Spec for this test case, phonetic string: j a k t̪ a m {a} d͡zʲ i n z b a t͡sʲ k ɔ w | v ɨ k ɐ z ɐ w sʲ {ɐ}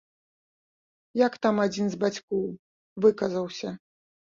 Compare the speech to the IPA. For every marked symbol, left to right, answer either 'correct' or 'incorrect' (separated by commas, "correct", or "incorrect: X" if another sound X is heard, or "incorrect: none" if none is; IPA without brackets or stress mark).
correct, correct